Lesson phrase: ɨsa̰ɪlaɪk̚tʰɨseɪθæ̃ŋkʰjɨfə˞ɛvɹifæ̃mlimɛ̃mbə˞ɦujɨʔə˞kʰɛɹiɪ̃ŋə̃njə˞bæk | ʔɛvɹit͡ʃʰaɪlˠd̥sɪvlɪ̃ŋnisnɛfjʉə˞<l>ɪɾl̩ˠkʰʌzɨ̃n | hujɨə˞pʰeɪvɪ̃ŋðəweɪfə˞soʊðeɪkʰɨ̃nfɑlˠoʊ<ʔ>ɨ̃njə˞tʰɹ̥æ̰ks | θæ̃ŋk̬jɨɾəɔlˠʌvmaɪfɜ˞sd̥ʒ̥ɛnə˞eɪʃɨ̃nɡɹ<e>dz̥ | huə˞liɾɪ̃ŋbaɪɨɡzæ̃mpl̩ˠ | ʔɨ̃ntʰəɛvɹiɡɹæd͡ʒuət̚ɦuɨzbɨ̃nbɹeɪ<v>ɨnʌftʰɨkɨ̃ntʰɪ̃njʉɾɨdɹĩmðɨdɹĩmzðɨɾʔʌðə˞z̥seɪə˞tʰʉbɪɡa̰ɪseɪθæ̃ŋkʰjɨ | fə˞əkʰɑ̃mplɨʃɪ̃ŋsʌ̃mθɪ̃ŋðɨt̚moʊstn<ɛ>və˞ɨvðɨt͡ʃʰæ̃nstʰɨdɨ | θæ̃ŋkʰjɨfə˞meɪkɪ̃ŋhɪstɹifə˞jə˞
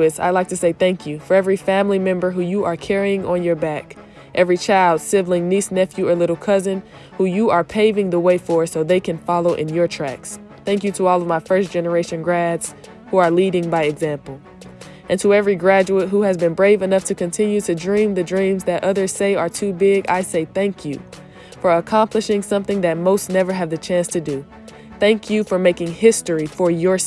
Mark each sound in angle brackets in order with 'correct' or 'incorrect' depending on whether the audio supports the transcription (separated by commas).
correct, correct, incorrect, correct, correct